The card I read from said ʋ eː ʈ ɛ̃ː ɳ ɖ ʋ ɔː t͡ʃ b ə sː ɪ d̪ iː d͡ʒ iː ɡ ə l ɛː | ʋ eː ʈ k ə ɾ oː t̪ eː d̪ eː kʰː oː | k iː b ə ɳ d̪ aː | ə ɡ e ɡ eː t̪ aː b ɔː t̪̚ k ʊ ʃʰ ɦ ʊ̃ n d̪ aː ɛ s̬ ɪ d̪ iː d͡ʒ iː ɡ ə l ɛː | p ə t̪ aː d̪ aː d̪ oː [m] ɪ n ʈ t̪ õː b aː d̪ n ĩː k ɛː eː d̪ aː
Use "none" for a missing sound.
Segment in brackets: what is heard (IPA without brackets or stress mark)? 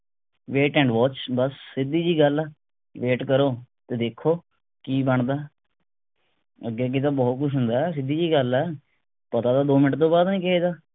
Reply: m